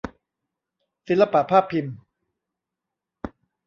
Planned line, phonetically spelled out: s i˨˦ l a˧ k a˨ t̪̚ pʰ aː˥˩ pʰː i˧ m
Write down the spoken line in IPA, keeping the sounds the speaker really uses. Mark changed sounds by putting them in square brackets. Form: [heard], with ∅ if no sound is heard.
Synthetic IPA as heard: s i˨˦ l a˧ [p] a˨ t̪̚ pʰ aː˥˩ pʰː i˧ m